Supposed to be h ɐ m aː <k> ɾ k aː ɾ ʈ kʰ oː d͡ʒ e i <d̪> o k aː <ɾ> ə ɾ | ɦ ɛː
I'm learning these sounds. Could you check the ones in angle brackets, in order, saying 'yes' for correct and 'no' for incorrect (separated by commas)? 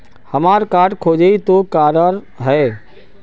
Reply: no, no, yes